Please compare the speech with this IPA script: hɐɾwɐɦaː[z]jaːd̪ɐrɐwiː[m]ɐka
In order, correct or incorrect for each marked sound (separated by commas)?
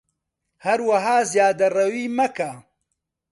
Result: correct, correct